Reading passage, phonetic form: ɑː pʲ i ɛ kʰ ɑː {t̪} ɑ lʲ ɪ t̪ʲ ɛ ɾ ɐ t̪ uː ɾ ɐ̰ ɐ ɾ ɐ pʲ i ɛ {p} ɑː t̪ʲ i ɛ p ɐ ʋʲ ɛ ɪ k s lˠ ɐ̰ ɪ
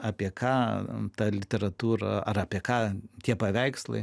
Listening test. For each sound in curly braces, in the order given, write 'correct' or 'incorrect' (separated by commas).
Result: correct, incorrect